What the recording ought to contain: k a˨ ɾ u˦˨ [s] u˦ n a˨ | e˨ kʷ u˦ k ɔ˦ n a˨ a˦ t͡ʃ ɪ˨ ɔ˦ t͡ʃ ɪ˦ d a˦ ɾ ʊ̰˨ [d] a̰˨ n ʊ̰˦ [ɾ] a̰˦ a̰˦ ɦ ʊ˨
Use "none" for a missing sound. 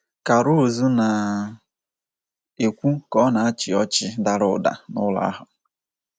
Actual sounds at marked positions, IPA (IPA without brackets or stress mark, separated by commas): z, d, l